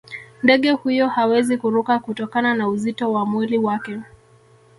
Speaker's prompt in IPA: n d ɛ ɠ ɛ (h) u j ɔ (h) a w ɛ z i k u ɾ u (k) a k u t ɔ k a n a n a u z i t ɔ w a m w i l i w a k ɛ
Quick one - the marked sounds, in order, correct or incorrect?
correct, correct, correct

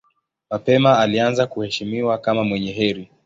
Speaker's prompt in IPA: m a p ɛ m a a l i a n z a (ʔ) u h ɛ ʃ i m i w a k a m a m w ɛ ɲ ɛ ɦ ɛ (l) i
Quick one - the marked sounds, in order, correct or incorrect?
incorrect: k, incorrect: ɾ

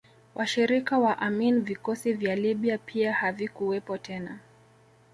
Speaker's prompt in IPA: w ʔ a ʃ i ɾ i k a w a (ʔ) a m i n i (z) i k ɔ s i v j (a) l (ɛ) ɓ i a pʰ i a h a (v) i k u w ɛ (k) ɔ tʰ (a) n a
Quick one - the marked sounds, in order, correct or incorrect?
correct, incorrect: v, correct, incorrect: i, correct, incorrect: p, incorrect: ɛ

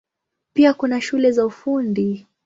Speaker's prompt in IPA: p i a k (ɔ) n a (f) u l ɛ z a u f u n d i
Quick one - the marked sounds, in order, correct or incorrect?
incorrect: u, incorrect: ʃ

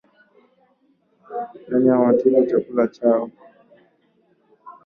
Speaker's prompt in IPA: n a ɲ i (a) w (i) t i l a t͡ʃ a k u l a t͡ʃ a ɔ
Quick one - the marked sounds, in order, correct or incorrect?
correct, incorrect: a

